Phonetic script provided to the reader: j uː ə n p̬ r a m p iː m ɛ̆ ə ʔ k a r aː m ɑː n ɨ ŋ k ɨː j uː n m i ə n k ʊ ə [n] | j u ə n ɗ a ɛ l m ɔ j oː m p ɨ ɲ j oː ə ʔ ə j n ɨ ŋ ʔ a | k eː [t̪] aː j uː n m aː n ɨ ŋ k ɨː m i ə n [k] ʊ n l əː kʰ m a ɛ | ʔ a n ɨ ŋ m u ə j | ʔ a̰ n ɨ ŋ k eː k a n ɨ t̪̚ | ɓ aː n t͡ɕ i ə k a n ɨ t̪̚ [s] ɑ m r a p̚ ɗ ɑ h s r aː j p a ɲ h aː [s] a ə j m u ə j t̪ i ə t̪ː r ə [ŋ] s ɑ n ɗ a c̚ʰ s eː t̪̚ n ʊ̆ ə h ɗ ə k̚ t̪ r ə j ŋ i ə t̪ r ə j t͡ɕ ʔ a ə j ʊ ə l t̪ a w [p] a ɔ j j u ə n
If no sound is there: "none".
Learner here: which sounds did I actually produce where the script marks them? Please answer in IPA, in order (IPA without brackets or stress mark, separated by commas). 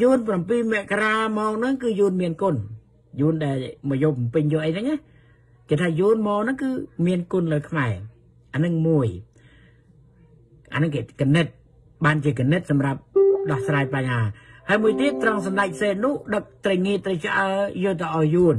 n, t̪ʰ, k, s, h, ŋ, ʔ